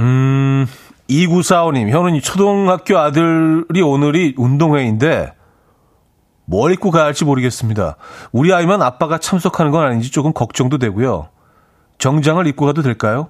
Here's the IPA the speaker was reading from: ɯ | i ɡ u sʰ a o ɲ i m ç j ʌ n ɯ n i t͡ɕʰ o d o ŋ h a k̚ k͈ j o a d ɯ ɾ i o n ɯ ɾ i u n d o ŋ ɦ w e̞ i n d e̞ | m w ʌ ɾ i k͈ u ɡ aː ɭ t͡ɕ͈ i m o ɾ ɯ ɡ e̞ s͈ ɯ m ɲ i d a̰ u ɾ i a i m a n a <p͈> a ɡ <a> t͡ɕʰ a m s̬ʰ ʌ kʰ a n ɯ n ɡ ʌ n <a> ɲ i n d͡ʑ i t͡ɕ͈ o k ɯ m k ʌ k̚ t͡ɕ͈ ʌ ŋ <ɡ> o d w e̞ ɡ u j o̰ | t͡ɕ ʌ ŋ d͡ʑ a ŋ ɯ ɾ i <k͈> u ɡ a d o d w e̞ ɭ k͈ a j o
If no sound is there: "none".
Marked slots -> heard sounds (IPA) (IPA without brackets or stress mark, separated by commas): p͈, a, a, d, k͈